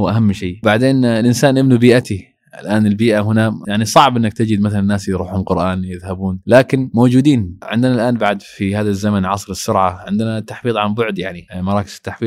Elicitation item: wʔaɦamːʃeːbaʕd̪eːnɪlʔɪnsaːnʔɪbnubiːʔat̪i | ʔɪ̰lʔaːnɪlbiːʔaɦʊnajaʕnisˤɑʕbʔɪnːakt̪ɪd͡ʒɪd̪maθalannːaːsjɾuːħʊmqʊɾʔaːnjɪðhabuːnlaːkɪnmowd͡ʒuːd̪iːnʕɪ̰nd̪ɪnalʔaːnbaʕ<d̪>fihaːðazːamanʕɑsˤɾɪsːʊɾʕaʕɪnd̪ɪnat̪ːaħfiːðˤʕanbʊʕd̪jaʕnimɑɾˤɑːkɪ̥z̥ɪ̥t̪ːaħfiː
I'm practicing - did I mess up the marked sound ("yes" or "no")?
no